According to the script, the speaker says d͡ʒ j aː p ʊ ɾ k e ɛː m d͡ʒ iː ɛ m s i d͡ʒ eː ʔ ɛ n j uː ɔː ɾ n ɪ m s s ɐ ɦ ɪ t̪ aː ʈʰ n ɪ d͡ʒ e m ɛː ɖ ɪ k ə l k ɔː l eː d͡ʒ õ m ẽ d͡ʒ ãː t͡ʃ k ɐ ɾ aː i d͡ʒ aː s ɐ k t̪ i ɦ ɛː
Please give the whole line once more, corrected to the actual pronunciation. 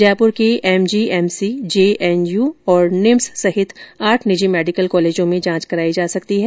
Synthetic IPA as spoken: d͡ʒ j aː p ʊ ɾ k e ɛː m d͡ʒ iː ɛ m s i d͡ʒ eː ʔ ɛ n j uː ɔː ɾ n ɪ m s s ɐ ɦ ɪ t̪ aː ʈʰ n ɪ d͡ʒ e m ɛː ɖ ɪ k ə l k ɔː l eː d͡ʒ õ m ẽ d͡ʒ ãː t͡ʃ k ɐ ɾ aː i d͡ʒ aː s ɐ k t̪ i ɦ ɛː

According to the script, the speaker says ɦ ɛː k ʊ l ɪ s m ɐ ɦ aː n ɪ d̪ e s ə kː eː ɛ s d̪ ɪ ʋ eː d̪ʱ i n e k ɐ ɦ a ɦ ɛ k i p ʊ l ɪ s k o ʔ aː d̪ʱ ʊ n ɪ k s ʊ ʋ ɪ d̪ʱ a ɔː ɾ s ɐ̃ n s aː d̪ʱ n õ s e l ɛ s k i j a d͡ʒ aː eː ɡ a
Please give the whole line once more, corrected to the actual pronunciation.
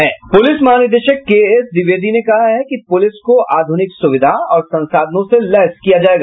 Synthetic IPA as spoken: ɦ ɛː p ʊ l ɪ s m ɐ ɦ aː n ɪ d̪ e ʃ ə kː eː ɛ s d̪ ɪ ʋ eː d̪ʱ i n e k ɐ ɦ a ɦ ɛ k i p ʊ l ɪ s k o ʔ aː d̪ʱ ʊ n ɪ k s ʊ ʋ ɪ d̪ʱ a ɔː ɾ s ɐ̃ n s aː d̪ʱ n õ s e l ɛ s k i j a d͡ʒ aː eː ɡ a

